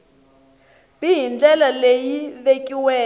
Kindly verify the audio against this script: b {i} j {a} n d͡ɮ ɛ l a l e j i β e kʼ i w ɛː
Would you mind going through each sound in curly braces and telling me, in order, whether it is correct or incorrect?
correct, incorrect: i

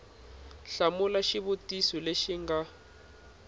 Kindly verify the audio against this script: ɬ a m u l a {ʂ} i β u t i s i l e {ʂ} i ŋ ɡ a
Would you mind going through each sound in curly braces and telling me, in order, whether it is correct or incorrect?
incorrect: ʃ, incorrect: ʃ

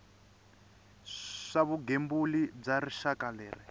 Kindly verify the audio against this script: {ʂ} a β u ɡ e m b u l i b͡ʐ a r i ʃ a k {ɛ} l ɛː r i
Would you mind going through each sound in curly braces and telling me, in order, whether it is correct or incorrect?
correct, incorrect: a

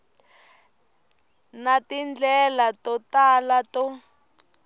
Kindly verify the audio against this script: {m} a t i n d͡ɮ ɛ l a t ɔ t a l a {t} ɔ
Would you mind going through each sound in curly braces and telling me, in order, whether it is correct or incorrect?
incorrect: n, correct

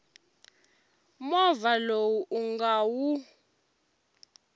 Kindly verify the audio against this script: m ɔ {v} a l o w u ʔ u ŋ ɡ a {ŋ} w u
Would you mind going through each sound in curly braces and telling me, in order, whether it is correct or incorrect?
correct, incorrect: none

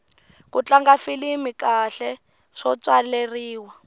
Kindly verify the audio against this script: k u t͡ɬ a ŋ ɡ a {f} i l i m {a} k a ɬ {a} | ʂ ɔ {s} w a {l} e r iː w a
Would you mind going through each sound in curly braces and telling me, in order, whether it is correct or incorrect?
correct, incorrect: i, incorrect: ɛ, incorrect: t͡s, correct

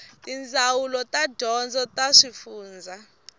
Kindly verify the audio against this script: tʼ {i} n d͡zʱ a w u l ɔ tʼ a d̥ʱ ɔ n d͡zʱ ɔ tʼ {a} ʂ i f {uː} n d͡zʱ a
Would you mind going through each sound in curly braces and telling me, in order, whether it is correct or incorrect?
correct, correct, correct

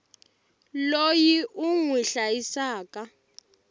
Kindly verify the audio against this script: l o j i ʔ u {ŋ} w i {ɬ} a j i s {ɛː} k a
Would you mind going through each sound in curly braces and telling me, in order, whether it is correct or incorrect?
correct, correct, incorrect: aː

